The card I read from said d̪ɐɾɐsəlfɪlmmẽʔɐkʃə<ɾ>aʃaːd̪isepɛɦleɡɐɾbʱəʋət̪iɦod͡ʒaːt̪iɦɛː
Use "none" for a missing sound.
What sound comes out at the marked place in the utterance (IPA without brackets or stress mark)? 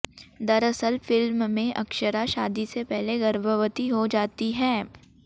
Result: ɾ